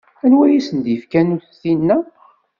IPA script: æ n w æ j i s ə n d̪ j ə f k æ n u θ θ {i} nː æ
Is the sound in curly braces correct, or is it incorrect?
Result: correct